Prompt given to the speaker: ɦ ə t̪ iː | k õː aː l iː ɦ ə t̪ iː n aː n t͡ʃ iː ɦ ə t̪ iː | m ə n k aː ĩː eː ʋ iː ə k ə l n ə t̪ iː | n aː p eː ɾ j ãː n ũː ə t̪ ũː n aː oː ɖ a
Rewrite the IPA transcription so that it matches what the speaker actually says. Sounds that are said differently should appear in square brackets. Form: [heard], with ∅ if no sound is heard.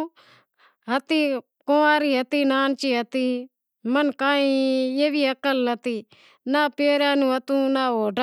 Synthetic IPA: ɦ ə t̪ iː | k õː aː [ɾ] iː ɦ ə t̪ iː n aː n t͡ʃ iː ɦ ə t̪ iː | m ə n k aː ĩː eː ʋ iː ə k ə l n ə t̪ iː | n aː p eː ɾ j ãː n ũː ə t̪ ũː n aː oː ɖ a